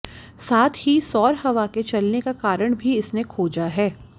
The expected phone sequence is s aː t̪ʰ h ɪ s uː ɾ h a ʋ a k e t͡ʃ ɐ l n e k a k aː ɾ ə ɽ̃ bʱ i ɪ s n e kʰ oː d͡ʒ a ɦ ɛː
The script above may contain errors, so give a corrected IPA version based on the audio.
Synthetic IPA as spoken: s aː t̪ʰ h i s ɔː ɾ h ɐ ʋ a k e t͡ʃ ɐ l n e k a k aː ɾ ə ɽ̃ bʱ i ɪ s n e kʰ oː d͡ʒ a ɦ ɛː